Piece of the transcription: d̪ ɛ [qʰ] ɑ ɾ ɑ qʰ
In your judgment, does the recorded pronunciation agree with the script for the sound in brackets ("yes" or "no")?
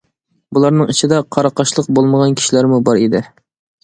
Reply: yes